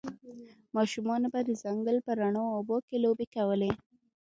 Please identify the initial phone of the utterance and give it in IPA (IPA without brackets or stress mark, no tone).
m